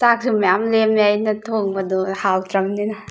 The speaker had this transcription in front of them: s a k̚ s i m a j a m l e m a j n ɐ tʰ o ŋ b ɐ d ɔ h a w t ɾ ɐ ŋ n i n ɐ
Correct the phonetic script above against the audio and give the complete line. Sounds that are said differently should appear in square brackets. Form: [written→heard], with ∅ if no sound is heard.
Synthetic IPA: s a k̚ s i m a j a m l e m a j n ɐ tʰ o ŋ b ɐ d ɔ h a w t ɾ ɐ [ŋ→m] n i n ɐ

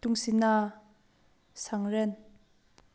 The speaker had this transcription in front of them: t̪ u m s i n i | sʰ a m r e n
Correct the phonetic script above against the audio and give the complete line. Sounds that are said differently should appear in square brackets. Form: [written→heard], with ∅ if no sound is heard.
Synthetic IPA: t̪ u [m→ŋ] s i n [i→a] | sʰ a [m→ŋ] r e n

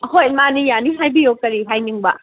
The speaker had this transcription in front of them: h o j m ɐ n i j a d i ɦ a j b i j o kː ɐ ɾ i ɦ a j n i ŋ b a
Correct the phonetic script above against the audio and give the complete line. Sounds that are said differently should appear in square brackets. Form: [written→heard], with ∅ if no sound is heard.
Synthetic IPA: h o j m [ɐ→a] n i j a [d→n] i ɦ a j b i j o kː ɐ ɾ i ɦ a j n i ŋ b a

